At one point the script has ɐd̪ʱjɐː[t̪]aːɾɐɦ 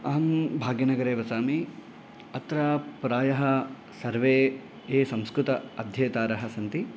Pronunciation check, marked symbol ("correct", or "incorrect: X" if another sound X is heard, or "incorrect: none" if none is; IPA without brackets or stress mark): correct